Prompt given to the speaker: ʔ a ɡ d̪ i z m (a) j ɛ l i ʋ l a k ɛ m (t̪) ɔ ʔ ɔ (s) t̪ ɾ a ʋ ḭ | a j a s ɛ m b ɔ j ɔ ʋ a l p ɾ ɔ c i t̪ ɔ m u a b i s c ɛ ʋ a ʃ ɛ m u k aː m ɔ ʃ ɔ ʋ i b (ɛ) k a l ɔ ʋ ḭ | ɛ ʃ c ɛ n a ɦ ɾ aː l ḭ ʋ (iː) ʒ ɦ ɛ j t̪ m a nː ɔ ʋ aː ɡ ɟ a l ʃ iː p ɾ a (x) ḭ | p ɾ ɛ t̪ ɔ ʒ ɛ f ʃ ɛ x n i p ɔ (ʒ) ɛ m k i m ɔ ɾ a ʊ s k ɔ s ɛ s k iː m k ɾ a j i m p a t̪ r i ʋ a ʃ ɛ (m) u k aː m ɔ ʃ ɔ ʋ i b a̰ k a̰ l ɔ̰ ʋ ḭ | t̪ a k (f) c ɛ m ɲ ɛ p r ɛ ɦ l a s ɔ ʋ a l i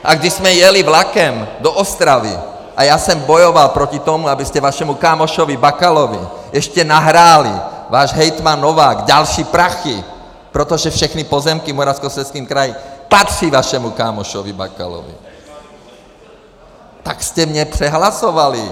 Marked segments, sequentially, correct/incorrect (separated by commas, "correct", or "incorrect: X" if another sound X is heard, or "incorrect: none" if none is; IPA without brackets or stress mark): incorrect: ɛ, incorrect: d̪, correct, incorrect: a, incorrect: aː, correct, incorrect: z, correct, incorrect: s